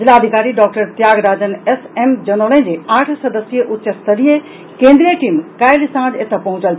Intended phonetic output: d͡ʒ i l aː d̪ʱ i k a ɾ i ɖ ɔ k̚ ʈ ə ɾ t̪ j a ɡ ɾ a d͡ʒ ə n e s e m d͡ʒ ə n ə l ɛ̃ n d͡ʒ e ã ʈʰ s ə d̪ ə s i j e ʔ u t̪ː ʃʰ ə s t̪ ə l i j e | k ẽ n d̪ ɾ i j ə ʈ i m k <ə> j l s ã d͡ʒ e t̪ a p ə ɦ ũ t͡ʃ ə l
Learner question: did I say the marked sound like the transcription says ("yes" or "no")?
no